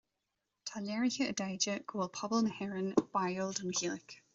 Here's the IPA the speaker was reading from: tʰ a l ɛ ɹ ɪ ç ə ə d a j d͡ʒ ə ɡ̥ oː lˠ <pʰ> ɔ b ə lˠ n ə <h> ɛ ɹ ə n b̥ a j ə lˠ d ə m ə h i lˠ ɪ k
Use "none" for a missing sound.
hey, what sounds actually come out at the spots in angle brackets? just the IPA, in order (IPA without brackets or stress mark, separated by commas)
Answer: pʰ, h